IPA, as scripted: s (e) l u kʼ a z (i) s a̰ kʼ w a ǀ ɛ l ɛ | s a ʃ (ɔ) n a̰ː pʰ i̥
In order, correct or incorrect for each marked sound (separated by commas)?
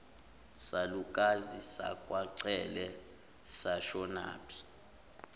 incorrect, correct, correct